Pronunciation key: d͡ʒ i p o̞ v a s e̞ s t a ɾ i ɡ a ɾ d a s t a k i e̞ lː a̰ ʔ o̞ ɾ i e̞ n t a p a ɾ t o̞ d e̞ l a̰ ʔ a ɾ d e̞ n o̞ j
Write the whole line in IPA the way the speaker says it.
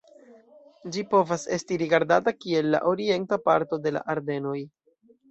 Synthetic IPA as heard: d͡ʒ i p o̞ v a s e̞ s t i ɾ i ɡ a ɾ d a t a k i e̞ lː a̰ ʔ o̞ ɾ i e̞ n t a p a ɾ t o̞ d e̞ l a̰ ʔ a ɾ d e̞ n o̞ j